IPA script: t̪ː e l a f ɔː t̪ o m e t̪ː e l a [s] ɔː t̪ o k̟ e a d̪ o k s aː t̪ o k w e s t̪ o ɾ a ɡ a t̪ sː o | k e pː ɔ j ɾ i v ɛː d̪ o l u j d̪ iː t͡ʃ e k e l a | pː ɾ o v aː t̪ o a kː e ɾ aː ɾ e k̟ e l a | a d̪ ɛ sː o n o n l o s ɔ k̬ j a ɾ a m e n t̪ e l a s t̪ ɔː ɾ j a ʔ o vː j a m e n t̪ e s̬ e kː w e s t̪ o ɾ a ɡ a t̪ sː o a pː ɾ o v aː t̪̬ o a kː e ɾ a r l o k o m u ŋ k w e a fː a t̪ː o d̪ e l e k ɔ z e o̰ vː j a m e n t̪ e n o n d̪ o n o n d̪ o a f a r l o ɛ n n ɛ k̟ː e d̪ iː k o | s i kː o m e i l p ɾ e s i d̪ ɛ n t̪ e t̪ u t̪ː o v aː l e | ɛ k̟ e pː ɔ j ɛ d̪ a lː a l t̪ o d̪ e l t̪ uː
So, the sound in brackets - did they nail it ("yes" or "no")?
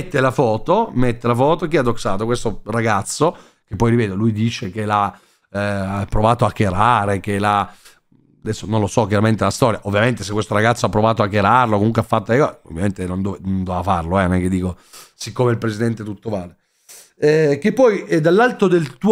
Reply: no